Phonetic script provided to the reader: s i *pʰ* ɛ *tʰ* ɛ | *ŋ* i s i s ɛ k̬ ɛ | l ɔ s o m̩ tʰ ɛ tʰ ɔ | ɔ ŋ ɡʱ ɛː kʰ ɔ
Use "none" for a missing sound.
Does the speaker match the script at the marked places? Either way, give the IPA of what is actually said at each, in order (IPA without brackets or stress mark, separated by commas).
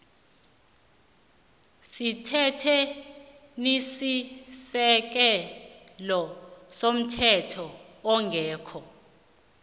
tʰ, tʰ, n